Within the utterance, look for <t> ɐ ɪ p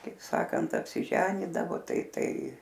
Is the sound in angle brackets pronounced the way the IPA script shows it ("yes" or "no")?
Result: no